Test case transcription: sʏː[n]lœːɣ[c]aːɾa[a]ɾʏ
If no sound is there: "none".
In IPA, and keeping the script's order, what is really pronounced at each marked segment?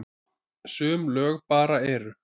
m, p, ɛ

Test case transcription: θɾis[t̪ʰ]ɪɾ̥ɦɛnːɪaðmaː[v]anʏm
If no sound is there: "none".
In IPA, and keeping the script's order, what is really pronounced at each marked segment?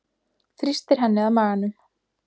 t̪, ɣ

